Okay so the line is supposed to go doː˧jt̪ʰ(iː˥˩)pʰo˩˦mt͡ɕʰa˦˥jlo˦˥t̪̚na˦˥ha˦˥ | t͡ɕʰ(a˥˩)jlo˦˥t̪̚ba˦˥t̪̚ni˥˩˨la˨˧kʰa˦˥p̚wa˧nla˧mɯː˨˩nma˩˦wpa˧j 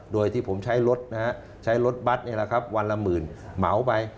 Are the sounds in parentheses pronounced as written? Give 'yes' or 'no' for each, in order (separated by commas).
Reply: yes, no